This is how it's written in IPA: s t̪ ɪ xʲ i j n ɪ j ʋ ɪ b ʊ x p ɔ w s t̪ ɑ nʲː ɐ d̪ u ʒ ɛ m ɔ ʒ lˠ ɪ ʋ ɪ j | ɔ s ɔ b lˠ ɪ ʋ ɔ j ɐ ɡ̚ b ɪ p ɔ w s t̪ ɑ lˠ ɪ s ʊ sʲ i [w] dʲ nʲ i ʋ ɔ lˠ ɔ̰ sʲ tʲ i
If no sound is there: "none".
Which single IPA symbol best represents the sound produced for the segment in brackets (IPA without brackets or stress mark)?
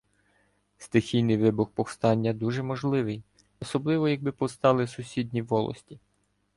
none